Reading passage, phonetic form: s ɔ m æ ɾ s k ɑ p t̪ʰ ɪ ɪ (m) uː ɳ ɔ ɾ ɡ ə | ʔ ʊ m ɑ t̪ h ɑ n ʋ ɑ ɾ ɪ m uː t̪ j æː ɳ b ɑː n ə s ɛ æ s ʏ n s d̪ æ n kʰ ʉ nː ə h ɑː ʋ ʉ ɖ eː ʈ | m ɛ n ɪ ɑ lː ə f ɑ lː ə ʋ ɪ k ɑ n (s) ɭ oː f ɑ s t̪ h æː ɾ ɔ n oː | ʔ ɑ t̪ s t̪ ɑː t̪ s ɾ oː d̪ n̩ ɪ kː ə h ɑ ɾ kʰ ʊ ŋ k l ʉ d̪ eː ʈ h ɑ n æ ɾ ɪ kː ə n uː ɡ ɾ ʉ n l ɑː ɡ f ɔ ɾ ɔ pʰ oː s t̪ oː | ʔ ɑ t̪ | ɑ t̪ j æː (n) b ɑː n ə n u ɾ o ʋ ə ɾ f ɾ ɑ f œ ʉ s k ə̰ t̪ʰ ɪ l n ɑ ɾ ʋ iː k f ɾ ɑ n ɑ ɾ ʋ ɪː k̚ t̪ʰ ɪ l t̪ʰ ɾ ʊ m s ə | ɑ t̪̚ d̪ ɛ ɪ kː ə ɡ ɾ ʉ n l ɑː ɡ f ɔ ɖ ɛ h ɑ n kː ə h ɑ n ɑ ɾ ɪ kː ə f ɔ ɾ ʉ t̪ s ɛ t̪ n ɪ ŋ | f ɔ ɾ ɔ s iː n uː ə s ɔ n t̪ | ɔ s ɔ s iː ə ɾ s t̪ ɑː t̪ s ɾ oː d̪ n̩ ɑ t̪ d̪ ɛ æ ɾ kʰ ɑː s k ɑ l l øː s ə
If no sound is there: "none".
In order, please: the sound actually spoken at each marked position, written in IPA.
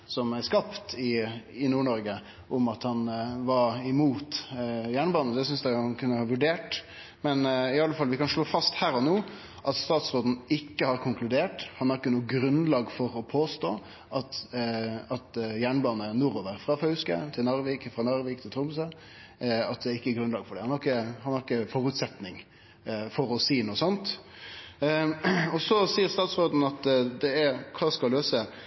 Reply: n, ʂ, ɳ

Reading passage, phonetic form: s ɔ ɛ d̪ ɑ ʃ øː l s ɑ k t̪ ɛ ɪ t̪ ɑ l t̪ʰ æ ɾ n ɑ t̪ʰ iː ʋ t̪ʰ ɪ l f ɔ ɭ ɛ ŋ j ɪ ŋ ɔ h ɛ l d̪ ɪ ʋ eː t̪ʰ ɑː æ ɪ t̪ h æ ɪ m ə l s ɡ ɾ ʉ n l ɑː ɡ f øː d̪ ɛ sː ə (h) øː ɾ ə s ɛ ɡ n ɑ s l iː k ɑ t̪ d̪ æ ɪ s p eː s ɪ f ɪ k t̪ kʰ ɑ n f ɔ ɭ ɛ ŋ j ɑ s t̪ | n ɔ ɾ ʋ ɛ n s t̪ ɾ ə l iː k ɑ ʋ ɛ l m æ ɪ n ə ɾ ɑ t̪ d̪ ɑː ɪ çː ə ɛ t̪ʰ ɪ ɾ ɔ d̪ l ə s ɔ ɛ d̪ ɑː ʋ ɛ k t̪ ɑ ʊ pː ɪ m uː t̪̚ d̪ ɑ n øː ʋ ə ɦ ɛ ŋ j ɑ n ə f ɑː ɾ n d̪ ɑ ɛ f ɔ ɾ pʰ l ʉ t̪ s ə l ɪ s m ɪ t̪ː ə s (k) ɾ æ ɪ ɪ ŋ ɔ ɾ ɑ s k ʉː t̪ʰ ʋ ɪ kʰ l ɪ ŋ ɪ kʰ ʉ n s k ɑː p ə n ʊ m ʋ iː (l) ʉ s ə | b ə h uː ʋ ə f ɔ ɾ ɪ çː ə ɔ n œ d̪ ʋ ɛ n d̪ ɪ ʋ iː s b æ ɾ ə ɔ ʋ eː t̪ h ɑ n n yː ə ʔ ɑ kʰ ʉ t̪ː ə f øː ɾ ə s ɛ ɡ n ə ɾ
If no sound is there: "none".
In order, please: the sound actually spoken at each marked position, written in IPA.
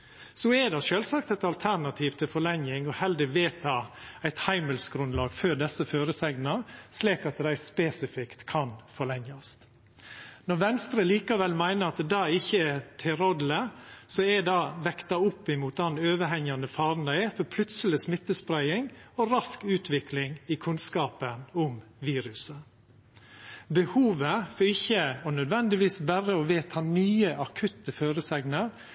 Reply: f, p, ɾ

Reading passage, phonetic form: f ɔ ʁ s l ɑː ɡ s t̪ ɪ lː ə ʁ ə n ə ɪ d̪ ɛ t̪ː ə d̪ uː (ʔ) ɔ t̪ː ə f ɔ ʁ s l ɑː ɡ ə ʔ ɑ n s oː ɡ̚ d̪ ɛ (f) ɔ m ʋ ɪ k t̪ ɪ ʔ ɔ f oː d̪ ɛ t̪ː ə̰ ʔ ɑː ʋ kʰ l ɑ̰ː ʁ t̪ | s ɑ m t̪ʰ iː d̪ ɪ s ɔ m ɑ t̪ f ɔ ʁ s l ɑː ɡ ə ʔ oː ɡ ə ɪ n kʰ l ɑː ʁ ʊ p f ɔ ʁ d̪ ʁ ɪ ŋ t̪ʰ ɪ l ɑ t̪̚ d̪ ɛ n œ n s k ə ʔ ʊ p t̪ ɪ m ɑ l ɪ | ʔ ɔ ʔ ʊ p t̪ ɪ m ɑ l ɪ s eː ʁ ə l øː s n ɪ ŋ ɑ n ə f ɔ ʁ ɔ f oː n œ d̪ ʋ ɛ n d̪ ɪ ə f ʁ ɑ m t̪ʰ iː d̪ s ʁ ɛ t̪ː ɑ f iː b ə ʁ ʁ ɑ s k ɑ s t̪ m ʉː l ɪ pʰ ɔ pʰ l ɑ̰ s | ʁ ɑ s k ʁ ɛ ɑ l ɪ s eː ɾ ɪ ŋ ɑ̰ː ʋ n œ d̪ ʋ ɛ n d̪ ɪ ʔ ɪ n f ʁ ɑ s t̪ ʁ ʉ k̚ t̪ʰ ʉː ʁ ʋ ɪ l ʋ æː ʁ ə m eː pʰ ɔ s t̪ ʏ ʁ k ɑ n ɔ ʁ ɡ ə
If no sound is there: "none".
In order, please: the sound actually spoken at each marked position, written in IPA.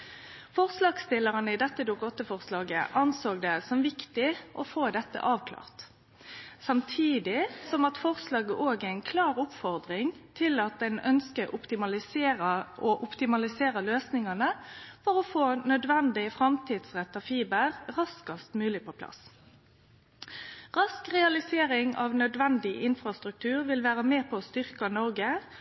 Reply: k, s

